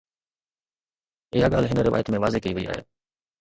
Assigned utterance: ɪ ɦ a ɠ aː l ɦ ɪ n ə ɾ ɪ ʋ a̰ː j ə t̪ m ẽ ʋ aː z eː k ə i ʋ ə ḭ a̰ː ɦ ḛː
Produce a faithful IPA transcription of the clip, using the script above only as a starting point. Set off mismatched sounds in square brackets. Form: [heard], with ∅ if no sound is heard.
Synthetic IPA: ɪ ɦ a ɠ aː l ɦ ɪ n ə ɾ ɪ ʋ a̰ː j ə t̪ m ẽ ʋ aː z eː k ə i ʋ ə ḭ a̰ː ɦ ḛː

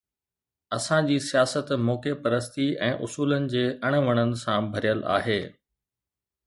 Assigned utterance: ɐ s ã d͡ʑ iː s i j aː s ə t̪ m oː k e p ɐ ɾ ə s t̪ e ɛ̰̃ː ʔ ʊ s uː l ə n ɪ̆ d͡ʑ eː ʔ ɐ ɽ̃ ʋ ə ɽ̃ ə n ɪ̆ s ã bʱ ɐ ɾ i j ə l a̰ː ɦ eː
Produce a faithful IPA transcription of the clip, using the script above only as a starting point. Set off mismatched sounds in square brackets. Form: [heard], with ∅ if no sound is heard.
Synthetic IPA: ɐ s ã d͡ʑ iː s i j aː s ə t̪ m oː k e p ɐ ɾ ə s t̪ [i] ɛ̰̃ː ʔ ʊ s uː l ə n ɪ̆ d͡ʑ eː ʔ ɐ ɽ̃ ʋ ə ɽ̃ ə n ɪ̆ s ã bʱ ɐ ɾ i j ə l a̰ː ɦ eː

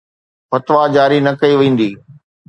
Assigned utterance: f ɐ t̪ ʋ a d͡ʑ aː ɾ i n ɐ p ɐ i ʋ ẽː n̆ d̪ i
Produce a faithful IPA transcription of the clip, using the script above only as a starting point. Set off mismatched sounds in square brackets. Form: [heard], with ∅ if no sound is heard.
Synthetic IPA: f ɐ t̪ ʋ a d͡ʑ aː ɾ i n ɐ [k] ɐ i ʋ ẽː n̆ d̪ [iː]

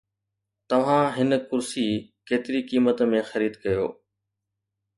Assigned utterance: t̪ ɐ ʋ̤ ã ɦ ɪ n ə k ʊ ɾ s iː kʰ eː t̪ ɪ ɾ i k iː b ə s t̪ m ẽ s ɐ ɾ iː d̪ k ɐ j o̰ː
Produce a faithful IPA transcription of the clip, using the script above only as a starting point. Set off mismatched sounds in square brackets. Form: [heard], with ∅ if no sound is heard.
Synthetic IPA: t̪ ɐ ʋ̤ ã ɦ ɪ n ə k ʊ ɾ s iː [k] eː t̪ ɪ ɾ i k iː [m] ə [∅] t̪ m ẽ [x] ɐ ɾ iː d̪ k ɐ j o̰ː

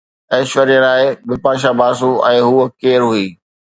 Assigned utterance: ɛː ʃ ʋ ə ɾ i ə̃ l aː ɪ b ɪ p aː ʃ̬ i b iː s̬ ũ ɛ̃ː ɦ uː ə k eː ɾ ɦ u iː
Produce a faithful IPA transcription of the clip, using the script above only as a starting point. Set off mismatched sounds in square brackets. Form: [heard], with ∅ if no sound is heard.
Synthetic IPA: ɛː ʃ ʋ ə ɾ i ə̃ l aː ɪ b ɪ p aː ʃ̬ [a] b [aː] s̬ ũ ɛ̃ː ɦ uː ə k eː ɾ ɦ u iː

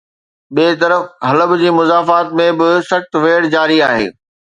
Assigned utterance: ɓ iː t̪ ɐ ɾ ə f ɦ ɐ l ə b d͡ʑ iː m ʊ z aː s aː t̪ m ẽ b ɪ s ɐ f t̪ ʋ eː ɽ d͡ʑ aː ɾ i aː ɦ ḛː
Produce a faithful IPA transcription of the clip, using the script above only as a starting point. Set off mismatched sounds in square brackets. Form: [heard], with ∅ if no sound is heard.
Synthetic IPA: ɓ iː t̪ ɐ ɾ ə f ɦ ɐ l ə b d͡ʑ iː m ʊ z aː [f] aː t̪ m ẽ b ɪ s ɐ [x] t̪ ʋ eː ɽ d͡ʑ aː ɾ i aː ɦ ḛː

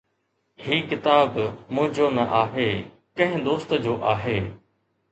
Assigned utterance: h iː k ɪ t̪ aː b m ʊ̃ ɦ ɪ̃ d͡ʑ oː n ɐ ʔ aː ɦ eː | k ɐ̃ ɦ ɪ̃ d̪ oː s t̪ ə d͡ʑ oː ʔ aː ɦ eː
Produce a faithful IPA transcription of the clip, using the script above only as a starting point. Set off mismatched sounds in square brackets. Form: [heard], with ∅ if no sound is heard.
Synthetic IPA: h iː k ɪ t̪ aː b m ʊ̃ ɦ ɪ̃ d͡ʑ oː n ɐ ʔ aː ɦ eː | k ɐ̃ ɦ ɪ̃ d̪ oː s t̪ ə d͡ʑ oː ʔ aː ɦ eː

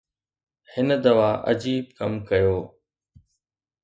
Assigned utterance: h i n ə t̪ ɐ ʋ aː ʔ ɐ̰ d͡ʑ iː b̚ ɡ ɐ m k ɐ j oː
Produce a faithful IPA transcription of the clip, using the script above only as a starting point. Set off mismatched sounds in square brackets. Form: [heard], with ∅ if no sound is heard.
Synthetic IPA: h [ɪ] n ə [d̪] ɐ ʋ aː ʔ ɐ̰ d͡ʑ iː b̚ [k] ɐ m k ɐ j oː

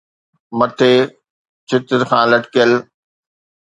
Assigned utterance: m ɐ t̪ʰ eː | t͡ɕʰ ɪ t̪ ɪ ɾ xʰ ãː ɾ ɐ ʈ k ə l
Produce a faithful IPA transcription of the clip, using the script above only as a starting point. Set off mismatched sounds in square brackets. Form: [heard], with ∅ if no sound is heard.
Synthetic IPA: m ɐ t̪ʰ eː | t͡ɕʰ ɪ t̪ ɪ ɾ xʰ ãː [l] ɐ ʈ k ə l

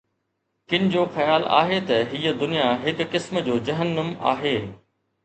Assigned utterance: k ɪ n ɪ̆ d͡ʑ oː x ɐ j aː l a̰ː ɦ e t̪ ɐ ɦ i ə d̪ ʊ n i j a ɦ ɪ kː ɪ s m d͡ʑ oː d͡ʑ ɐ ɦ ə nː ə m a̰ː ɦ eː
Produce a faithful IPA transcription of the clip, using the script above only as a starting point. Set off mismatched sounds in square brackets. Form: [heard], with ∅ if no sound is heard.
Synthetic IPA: k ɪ n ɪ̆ d͡ʑ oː x ɐ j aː l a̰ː ɦ e t̪ ɐ ɦ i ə d̪ ʊ n i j a ɦ ɪ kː ɪ s m d͡ʑ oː d͡ʑ ɐ ɦ ə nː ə m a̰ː ɦ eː

